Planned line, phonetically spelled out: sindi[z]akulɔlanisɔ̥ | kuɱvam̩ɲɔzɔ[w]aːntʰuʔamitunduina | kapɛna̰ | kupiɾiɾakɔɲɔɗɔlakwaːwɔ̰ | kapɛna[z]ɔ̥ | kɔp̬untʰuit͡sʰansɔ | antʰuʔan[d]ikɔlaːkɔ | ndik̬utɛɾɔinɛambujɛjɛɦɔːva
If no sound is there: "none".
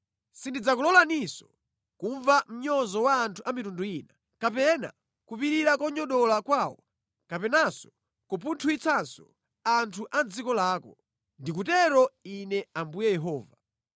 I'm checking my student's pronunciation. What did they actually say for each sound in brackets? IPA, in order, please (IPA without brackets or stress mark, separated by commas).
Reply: d͡z, w, s, d͡z